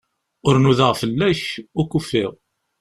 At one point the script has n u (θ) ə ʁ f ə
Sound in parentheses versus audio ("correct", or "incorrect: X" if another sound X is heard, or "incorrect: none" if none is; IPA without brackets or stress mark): incorrect: ð